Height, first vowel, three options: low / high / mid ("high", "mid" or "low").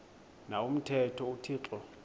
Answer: low